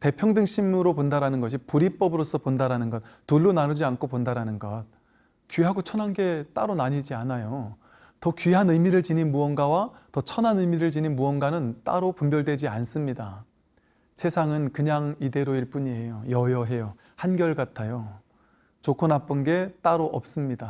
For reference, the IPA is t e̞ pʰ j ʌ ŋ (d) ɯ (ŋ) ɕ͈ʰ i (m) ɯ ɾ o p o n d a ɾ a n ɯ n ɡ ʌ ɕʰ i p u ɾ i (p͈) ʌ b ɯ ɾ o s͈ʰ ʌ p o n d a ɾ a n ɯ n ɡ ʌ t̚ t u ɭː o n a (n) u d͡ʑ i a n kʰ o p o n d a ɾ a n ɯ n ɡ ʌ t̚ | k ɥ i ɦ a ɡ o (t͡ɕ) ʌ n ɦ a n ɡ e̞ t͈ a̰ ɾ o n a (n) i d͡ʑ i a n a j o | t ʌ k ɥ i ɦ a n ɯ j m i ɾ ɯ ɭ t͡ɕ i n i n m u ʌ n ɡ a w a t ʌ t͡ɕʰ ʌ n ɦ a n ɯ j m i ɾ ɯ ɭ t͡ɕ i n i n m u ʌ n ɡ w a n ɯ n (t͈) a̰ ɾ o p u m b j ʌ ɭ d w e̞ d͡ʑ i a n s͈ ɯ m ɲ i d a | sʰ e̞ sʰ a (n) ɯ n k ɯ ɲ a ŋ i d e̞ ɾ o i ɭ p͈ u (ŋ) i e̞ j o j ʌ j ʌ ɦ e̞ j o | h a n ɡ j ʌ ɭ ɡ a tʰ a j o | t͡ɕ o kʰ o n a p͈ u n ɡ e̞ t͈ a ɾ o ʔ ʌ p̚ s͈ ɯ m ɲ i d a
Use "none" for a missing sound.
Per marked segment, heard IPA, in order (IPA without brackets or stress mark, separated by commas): d, ŋ, m, p͈, n, t͡ɕʰ, ɲ, t͈, ŋ, ɲ